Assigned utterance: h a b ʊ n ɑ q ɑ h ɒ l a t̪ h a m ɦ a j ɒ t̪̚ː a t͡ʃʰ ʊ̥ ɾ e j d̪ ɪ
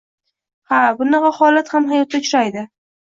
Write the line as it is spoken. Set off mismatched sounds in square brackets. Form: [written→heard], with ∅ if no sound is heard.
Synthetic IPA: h a b ʊ n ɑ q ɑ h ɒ l a t̪ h a m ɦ a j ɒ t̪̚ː a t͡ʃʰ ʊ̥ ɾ [e→a] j d̪ ɪ